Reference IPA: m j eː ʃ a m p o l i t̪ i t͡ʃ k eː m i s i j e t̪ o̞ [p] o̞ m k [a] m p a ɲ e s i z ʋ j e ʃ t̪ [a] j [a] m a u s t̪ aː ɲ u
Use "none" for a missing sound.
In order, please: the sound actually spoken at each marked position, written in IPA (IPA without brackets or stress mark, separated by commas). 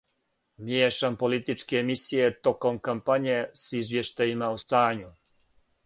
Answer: k, a, a, i